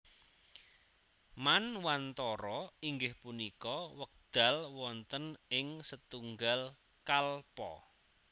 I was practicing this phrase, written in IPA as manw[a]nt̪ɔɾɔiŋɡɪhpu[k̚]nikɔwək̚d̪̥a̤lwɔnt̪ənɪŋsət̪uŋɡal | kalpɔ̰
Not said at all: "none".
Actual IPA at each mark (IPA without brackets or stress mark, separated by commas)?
a, none